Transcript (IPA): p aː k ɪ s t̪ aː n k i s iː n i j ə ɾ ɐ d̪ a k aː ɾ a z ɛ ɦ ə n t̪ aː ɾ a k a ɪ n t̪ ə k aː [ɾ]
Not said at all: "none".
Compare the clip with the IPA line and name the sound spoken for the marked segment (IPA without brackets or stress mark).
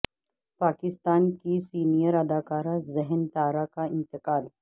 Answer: l